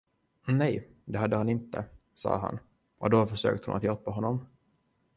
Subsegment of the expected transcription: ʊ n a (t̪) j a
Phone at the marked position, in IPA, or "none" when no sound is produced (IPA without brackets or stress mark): t̪